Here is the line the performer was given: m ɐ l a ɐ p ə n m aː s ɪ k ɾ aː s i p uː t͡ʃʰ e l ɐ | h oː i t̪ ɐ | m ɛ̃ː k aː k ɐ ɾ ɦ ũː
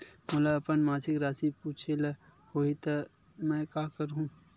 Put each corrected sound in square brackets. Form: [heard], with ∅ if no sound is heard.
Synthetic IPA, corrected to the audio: m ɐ l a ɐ p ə n m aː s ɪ k ɾ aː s i p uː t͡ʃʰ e l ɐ | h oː i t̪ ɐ | m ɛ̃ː k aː k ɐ ɾ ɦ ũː